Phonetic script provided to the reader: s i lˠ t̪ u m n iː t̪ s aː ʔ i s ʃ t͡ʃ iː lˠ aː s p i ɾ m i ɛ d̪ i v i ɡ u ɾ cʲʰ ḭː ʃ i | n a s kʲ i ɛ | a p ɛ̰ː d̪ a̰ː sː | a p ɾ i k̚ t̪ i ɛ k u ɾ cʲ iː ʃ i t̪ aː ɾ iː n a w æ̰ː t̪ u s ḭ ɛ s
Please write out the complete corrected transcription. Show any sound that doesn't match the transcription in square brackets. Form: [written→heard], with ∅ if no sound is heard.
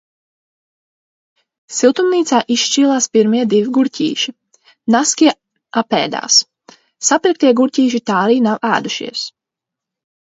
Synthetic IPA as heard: s i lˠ t̪ u m n iː t̪ s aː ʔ i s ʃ t͡ʃ iː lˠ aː s p i ɾ m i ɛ d̪ i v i ɡ u ɾ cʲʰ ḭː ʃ i | n a s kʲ i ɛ | a p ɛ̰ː d̪ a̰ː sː | a p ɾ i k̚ t̪ i ɛ [k→ɡ] u ɾ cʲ iː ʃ i t̪ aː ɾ iː n a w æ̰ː [t̪→d̪] u [s→ʃ] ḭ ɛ s

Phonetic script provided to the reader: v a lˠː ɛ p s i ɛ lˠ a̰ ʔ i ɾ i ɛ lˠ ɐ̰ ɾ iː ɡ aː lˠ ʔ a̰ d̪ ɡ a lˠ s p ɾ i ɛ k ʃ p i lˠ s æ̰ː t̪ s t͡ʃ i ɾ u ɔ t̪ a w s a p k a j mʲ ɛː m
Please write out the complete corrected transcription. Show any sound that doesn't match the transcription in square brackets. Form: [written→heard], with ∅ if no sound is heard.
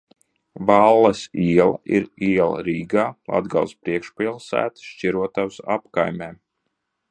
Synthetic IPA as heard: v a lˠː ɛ [p→∅] s i ɛ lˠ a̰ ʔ i ɾ i ɛ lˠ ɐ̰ ɾ iː ɡ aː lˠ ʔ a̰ d̪ ɡ a lˠ s p ɾ i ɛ k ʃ p i lˠ s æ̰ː t̪ [s→ʃ] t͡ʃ i ɾ u ɔ t̪ a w s a p k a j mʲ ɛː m

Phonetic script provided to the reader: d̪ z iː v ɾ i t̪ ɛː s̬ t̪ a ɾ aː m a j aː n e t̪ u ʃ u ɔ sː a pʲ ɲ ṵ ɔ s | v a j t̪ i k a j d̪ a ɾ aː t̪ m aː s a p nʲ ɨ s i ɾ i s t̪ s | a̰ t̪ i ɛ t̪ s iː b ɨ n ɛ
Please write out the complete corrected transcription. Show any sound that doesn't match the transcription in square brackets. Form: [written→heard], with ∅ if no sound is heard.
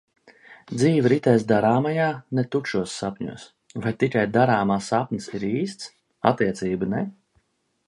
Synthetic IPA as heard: d̪ z iː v ɾ i t̪ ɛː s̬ [t̪→d̪] a ɾ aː m a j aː n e t̪ u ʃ u ɔ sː a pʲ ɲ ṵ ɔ s | v a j t̪ i k a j d̪ a ɾ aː [t̪→∅] m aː s a p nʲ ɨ s i ɾ [i→iː] s t̪ s | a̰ t̪ i ɛ t̪ s iː b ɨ n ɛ

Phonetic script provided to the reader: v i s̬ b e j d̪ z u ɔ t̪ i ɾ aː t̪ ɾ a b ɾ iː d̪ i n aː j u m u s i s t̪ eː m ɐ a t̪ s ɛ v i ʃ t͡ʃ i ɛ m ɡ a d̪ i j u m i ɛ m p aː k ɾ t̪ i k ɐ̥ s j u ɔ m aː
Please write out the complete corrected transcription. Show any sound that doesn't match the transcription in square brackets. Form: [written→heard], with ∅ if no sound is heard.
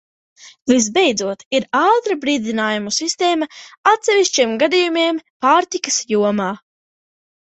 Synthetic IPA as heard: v i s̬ b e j d̪ z u ɔ t̪ i ɾ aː t̪ ɾ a b ɾ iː d̪ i n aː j u m u s i s t̪ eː m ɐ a t̪ s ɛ v i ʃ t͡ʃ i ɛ m ɡ a d̪ i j u m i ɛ m p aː [k→∅] ɾ t̪ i k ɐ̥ s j u ɔ m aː

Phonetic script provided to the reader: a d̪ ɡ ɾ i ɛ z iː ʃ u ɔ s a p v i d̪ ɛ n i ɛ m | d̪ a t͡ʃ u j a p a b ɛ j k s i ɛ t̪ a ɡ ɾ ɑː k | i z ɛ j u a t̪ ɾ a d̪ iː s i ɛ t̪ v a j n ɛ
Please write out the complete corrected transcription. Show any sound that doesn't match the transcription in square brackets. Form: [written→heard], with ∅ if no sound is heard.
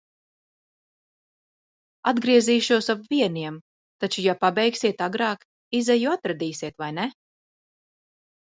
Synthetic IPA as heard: a d̪ ɡ ɾ i ɛ z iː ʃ u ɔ s a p v i [d̪→∅] ɛ n i ɛ m | [d̪→t̪] a t͡ʃ u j a p a b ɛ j k s i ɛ t̪ a ɡ ɾ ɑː k | i z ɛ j u a t̪ ɾ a d̪ iː s i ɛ t̪ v a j n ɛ

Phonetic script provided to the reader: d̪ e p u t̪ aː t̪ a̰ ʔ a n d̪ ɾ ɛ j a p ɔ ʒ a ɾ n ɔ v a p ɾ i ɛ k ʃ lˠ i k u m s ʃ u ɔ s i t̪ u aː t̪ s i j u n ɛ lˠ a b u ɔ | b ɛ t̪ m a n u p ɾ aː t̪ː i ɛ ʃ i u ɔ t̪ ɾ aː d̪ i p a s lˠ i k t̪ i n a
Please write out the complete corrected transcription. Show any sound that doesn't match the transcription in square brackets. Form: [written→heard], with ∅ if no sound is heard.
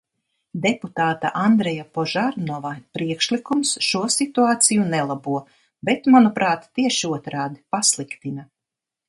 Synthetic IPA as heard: d̪ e p u t̪ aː t̪ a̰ ʔ a n d̪ ɾ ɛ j a p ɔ ʒ a ɾ n ɔ v a p ɾ i ɛ k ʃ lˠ i k u m s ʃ u ɔ s i t̪ u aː t̪ s i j u n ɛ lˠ a b u ɔ | b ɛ t̪ m a n u p ɾ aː t̪ː i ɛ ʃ i u ɔ t̪ ɾ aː d̪ i p a s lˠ i k t̪ i n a

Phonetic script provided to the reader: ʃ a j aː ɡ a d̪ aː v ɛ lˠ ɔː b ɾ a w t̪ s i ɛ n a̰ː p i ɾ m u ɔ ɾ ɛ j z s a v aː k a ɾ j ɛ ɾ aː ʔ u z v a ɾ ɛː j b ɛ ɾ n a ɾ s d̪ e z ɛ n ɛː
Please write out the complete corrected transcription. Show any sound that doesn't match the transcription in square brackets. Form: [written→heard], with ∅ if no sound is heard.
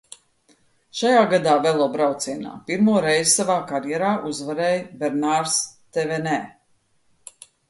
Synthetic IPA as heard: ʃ a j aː ɡ a d̪ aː v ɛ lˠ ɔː b ɾ a w t̪ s i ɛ n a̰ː p i ɾ m u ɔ ɾ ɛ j z s a v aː k a ɾ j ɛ ɾ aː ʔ u z v a ɾ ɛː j b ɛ ɾ n a ɾ s [d̪→t̪] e [z→v] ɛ n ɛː

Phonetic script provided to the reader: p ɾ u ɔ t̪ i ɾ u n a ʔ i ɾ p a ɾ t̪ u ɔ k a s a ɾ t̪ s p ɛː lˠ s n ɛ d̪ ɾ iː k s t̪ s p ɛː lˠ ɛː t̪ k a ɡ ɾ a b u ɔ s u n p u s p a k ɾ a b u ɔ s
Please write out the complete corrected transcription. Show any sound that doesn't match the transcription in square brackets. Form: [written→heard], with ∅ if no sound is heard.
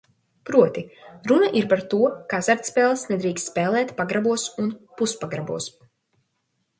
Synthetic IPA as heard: p ɾ u ɔ t̪ i ɾ u n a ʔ i ɾ p a ɾ t̪ u ɔ k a [s→z] a ɾ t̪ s p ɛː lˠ s n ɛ d̪ ɾ iː k s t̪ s p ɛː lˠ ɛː t̪ [k→p] a ɡ ɾ a b u ɔ s u n p u s p a [k→ɡ] ɾ a b u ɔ s

